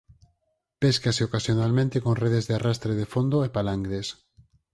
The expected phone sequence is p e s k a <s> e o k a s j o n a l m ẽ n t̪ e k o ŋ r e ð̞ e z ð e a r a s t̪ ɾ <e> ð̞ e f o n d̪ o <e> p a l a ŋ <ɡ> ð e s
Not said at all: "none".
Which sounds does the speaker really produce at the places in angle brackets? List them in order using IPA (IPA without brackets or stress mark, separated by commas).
s, e, e, ɡ